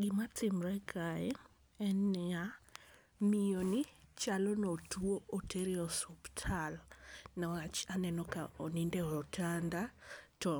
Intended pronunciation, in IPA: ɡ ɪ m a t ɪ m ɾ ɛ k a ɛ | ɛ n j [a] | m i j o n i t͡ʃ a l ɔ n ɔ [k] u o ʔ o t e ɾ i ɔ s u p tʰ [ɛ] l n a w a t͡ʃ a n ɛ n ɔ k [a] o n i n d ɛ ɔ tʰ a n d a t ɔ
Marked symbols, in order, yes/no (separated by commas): yes, no, no, yes